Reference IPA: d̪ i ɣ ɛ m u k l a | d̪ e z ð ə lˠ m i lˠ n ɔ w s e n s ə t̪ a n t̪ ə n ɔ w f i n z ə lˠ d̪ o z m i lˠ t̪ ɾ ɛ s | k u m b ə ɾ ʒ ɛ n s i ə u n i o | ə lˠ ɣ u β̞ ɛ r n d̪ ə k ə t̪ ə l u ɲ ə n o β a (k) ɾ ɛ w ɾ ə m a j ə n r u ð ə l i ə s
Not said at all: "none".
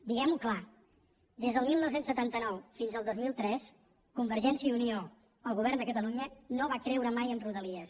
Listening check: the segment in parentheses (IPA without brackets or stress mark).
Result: k